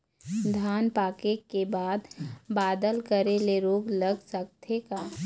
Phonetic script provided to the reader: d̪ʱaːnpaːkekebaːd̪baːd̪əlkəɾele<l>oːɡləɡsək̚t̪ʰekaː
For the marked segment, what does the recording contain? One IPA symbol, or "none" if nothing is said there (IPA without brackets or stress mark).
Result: ɾ